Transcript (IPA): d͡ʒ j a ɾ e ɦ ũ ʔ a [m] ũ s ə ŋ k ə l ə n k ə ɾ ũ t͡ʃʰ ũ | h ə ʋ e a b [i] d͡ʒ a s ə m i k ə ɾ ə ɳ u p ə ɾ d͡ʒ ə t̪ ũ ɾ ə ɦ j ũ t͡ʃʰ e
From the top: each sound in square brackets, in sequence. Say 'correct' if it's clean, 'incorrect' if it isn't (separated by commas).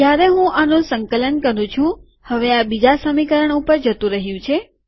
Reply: incorrect, correct